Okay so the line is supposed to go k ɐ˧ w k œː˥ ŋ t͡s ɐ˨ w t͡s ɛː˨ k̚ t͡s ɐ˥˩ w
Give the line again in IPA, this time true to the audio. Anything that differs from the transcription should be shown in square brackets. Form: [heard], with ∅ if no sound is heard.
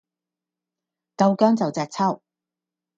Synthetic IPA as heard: k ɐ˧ w k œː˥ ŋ t͡s ɐ˨ w t͡s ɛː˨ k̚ [t͡sʰ] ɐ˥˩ w